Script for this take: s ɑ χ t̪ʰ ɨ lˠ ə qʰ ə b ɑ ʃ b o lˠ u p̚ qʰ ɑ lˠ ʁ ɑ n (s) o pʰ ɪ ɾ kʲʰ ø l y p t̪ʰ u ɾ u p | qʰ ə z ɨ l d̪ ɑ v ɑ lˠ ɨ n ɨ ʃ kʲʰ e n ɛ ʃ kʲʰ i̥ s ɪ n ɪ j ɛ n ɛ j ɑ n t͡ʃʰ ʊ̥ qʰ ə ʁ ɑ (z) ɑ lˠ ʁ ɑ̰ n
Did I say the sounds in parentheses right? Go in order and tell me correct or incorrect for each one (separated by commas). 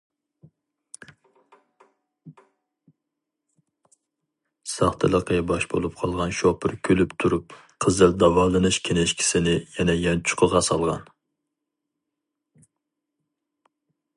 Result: incorrect, incorrect